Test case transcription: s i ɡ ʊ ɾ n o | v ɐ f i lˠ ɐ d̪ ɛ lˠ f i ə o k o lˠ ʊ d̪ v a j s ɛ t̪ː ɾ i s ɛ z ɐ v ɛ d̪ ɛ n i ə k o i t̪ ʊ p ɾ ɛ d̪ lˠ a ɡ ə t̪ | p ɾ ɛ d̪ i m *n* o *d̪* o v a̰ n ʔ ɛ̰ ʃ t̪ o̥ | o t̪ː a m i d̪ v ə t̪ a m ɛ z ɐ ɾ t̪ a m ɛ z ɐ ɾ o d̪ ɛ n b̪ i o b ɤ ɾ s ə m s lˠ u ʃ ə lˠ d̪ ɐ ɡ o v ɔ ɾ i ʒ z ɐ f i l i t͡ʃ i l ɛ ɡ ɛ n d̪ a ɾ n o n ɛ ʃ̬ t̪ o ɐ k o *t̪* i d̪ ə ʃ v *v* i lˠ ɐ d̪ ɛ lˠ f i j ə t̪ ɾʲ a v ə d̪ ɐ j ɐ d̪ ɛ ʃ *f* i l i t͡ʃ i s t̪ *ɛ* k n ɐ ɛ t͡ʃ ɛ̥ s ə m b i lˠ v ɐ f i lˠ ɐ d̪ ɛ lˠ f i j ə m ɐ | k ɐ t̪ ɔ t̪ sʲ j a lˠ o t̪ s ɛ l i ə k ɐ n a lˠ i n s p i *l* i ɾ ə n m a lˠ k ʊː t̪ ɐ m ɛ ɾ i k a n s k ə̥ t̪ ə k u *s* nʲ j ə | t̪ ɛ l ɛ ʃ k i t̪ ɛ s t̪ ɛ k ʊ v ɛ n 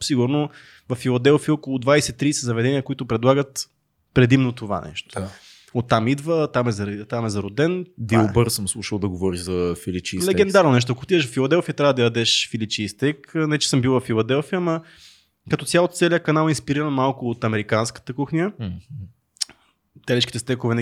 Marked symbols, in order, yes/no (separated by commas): yes, no, yes, no, yes, yes, no, no